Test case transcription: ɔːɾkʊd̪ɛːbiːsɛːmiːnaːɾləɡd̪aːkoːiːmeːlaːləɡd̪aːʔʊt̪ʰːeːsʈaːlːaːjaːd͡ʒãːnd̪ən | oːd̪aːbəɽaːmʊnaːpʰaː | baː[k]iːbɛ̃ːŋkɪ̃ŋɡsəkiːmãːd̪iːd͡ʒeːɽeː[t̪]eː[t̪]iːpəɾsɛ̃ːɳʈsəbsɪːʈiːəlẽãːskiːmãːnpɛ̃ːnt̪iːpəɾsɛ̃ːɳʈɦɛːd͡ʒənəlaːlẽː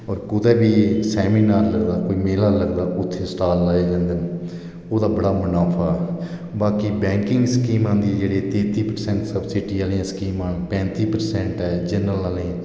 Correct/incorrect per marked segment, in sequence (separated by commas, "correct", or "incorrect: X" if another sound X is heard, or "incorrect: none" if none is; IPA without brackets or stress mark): correct, correct, correct